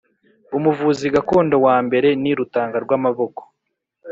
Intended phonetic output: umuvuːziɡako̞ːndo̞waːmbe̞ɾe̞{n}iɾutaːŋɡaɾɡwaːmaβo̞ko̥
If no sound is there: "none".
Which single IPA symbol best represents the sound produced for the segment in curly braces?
n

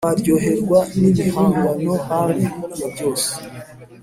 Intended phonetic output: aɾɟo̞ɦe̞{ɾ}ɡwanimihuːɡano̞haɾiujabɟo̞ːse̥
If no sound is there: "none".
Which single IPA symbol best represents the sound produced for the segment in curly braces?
ɾ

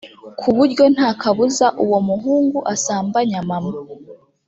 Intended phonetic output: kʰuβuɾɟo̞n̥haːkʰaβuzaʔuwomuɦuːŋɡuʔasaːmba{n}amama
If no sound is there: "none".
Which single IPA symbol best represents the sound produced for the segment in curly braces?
ɲ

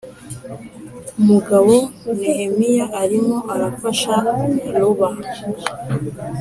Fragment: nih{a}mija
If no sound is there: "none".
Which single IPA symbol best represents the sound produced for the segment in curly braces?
e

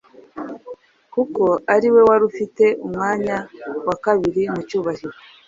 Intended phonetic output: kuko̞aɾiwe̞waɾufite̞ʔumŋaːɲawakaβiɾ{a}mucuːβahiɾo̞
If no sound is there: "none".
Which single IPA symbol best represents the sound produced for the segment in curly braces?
i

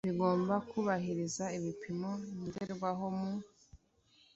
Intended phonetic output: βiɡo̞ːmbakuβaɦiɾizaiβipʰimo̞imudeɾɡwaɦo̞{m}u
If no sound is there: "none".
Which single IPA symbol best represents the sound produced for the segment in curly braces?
m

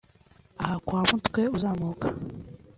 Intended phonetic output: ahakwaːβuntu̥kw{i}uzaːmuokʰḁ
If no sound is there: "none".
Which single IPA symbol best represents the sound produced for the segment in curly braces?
e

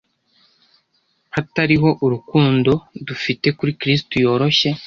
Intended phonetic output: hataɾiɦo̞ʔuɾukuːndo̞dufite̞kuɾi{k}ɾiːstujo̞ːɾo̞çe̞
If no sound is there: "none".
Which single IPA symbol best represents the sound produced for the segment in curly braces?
k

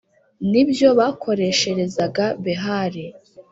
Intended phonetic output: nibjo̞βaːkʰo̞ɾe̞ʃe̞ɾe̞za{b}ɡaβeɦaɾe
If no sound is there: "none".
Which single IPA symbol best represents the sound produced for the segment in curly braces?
none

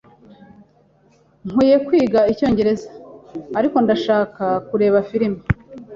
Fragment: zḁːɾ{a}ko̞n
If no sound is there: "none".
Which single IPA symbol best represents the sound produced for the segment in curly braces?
i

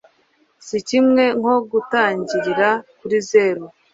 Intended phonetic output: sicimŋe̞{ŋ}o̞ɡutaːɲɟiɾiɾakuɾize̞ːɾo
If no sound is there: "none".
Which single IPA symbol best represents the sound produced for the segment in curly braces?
ŋ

